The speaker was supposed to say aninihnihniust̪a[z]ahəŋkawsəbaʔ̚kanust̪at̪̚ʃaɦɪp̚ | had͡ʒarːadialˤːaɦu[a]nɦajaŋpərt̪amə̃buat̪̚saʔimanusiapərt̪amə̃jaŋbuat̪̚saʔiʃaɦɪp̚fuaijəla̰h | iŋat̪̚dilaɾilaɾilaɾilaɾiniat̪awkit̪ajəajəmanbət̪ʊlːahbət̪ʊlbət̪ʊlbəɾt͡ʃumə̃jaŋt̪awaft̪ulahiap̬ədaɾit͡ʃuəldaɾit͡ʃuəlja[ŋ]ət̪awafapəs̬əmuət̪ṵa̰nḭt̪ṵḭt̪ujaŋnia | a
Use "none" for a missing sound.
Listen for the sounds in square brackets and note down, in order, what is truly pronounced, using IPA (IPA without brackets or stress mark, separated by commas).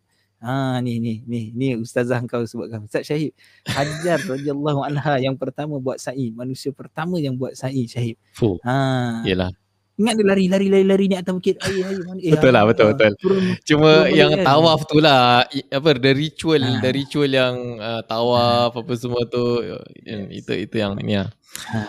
z, a, ŋ